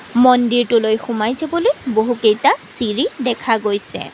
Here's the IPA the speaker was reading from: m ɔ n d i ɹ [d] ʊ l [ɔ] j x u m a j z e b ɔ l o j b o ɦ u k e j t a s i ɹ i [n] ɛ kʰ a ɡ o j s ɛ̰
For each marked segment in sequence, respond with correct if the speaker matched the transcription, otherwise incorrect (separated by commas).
incorrect, incorrect, incorrect